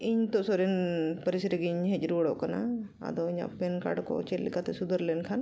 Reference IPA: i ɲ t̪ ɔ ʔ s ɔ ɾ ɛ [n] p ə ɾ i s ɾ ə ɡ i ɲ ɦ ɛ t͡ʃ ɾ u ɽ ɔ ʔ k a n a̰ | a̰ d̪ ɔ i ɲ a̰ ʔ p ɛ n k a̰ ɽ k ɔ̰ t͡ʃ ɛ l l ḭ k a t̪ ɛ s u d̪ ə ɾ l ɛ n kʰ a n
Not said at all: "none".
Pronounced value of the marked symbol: n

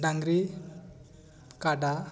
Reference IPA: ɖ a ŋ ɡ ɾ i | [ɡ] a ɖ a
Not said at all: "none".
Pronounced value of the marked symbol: k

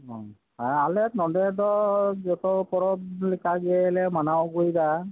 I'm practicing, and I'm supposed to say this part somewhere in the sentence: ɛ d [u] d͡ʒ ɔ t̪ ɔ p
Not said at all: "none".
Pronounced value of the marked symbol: ɔ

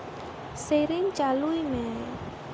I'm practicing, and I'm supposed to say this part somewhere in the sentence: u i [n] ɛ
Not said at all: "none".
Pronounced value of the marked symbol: m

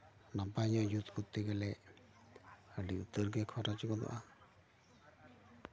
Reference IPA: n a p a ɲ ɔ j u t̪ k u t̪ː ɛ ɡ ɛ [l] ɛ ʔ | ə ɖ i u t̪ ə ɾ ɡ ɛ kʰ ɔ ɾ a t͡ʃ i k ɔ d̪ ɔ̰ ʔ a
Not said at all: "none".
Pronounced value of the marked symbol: l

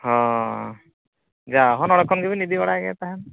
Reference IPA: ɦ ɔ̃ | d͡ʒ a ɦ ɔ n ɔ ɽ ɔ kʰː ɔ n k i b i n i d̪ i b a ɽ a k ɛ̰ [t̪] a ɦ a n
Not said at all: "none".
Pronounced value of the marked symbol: t̪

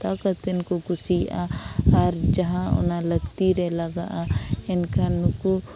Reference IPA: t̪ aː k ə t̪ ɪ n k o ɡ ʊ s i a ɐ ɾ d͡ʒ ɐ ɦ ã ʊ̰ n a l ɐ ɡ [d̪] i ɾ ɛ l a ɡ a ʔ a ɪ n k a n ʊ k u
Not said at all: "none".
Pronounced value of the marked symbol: t̪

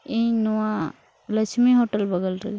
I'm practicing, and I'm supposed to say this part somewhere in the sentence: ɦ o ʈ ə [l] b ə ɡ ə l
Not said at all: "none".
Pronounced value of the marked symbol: l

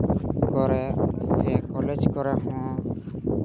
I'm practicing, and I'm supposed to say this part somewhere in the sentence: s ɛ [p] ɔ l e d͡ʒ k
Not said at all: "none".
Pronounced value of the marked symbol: k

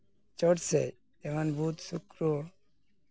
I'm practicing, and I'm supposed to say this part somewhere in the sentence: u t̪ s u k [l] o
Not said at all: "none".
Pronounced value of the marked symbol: ɾ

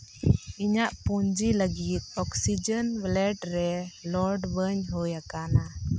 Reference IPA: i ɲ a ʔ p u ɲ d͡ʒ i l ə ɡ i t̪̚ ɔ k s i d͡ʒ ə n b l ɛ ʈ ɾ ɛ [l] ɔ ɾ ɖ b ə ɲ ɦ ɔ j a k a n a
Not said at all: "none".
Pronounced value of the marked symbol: l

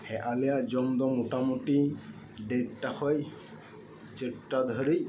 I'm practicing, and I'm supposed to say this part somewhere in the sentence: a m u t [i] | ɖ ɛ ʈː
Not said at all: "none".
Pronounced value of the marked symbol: i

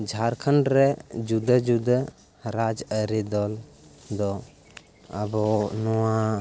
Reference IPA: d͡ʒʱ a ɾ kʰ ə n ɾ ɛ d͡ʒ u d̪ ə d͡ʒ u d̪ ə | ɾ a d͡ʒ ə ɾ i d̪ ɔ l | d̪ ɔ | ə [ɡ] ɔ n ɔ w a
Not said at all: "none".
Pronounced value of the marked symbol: b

